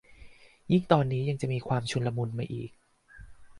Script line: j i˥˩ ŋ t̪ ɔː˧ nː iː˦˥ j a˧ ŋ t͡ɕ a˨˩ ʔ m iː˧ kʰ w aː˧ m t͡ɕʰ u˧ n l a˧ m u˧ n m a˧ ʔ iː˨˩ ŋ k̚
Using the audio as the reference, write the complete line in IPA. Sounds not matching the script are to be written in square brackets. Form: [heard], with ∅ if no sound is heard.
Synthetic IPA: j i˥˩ ŋ t̪ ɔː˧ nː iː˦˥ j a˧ ŋ t͡ɕ a˨˩ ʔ m iː˧ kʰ w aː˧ m t͡ɕʰ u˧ n l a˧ m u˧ n m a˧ ʔ iː˨˩ [∅] k̚